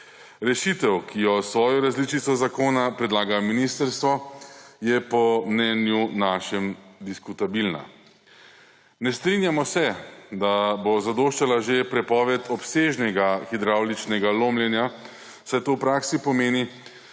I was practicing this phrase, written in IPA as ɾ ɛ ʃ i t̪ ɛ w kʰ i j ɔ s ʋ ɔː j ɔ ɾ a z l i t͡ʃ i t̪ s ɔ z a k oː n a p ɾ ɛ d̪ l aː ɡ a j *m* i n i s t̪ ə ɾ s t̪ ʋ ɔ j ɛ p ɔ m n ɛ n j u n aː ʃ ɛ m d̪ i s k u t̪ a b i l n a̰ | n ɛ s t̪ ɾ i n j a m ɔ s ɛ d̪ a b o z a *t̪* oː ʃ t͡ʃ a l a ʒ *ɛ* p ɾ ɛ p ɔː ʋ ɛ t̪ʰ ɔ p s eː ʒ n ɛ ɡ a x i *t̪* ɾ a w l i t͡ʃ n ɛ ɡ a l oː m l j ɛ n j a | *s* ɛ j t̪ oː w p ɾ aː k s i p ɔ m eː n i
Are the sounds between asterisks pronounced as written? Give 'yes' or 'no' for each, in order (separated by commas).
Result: yes, no, no, no, yes